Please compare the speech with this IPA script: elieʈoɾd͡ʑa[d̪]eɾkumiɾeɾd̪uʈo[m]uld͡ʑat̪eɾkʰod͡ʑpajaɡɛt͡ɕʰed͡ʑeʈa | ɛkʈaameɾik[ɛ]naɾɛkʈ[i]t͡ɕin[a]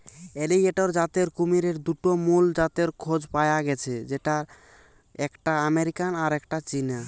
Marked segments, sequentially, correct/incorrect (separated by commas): incorrect, correct, incorrect, incorrect, correct